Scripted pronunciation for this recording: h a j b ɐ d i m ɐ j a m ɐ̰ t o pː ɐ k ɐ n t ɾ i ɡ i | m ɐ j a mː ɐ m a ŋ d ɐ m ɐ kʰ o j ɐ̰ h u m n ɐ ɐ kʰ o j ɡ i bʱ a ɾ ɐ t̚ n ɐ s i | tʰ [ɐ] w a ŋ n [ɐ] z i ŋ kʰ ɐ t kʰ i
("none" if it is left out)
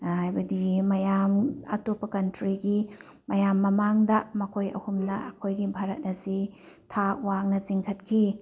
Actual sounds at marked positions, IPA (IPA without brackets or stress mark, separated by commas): a, ɐ